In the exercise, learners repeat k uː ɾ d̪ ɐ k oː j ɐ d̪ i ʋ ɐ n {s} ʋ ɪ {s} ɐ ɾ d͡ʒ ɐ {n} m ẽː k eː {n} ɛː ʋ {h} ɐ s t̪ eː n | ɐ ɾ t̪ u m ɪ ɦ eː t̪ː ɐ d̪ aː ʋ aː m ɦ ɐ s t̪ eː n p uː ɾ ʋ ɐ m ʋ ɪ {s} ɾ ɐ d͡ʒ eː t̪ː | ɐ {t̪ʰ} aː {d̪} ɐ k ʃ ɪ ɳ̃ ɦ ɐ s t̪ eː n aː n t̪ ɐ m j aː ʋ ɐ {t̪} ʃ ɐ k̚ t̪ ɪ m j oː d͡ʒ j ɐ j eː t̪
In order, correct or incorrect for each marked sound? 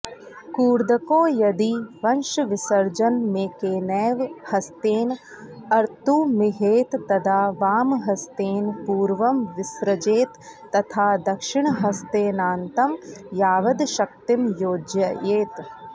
incorrect: ʃ, correct, correct, correct, correct, correct, correct, correct, incorrect: d̪

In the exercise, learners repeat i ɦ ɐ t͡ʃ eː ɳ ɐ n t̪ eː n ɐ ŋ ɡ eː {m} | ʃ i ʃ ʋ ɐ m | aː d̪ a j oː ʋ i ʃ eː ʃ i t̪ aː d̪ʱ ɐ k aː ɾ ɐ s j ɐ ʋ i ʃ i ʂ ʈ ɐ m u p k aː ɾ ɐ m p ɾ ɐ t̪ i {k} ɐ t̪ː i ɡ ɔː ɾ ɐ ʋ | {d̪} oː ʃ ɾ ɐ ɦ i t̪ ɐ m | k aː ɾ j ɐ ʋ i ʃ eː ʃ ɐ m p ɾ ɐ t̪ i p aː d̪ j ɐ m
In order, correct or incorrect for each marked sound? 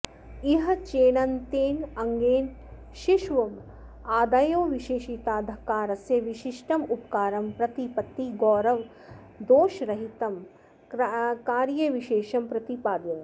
incorrect: n, incorrect: p, correct

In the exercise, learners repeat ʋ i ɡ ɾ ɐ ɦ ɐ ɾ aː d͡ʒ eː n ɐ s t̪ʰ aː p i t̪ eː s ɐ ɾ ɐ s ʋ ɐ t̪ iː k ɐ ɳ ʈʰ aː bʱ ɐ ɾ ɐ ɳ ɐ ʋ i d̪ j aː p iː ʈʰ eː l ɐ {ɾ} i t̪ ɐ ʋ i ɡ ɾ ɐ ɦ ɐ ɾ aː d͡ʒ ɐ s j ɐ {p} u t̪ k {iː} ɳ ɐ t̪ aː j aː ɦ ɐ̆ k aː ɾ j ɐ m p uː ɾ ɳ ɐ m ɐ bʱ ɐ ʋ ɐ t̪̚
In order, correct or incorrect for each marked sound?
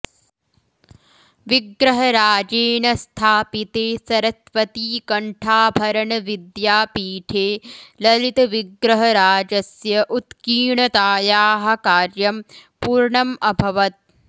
incorrect: l, incorrect: ʔ, correct

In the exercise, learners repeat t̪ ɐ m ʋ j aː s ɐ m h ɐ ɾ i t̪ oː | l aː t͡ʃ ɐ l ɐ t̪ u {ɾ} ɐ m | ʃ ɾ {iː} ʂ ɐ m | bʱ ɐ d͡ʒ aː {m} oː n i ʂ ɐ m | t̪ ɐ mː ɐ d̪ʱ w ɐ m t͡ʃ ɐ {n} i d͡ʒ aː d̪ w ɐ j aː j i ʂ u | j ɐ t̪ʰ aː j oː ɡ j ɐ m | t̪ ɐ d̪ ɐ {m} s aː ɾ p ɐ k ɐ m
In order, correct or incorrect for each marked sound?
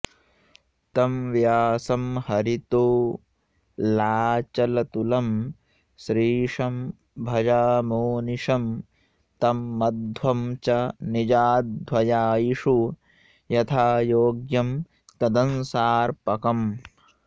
incorrect: l, correct, correct, correct, incorrect: n

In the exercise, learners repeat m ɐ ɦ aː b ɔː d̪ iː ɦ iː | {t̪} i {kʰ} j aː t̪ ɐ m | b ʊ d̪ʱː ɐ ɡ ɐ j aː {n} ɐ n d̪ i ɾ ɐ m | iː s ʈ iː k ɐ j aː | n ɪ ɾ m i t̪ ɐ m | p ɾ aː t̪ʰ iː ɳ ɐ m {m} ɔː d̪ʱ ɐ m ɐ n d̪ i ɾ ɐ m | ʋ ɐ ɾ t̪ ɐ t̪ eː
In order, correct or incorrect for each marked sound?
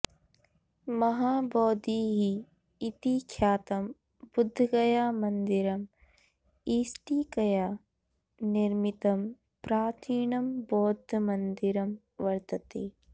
correct, correct, incorrect: m, incorrect: b

